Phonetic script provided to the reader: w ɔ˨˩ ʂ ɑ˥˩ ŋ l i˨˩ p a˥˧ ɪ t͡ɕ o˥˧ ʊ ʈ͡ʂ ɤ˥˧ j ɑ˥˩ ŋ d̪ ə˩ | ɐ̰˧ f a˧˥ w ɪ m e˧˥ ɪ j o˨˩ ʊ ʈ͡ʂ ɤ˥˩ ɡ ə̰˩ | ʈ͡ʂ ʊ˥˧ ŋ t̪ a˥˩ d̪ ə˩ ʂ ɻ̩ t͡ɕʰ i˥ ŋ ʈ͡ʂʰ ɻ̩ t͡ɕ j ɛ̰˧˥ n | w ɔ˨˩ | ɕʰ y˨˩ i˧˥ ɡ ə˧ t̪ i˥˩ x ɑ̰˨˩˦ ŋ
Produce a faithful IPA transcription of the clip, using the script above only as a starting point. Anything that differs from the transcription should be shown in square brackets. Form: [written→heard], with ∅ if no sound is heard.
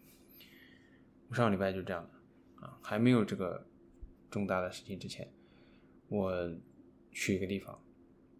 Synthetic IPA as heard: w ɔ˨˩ ʂ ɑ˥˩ ŋ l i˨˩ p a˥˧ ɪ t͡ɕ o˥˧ ʊ ʈ͡ʂ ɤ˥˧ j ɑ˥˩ ŋ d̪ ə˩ | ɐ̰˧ [f→x] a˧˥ [w→∅] ɪ m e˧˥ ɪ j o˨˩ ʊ ʈ͡ʂ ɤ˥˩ ɡ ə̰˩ | ʈ͡ʂ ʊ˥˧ ŋ t̪ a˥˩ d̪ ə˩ ʂ ɻ̩ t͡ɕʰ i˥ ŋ [ʈ͡ʂʰ→ʈ͡ʂ] ɻ̩ [t͡ɕ→t͡ɕʰ] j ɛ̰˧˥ n | w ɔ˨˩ | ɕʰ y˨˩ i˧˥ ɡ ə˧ t̪ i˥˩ [x→f] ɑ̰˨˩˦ ŋ